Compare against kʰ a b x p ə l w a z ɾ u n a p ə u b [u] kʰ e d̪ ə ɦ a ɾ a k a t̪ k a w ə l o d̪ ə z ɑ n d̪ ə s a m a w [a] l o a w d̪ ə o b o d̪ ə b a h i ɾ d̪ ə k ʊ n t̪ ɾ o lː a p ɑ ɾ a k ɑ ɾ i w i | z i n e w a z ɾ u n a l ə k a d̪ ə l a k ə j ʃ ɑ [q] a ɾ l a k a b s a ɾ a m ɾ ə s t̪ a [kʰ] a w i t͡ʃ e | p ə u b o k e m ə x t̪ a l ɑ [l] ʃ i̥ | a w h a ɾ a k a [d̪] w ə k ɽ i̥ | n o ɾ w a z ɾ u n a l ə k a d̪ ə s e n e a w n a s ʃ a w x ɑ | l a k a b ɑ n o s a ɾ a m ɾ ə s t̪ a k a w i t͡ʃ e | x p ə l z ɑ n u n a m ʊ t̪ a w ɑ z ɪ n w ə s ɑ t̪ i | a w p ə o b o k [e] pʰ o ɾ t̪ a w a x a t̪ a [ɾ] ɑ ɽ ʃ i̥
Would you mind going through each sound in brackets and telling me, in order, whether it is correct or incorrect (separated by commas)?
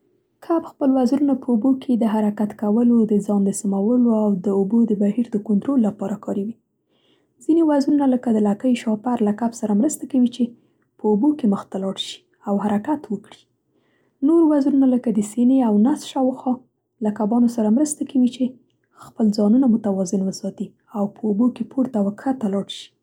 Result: incorrect, incorrect, incorrect, incorrect, incorrect, incorrect, correct, incorrect